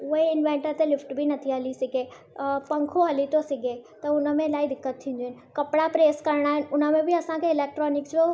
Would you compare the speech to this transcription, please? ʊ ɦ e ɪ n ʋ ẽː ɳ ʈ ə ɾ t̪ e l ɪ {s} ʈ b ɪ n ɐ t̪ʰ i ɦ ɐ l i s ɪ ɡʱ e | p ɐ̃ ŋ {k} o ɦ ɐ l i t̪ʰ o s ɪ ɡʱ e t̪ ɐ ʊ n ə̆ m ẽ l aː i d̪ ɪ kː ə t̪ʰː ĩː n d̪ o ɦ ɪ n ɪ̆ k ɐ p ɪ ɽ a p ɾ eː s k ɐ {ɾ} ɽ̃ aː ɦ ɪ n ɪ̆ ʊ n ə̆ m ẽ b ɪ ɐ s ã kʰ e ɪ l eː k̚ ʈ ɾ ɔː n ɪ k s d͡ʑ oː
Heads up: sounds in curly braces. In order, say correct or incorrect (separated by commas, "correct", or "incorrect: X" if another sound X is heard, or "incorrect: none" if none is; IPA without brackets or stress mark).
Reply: incorrect: f, incorrect: kʰ, correct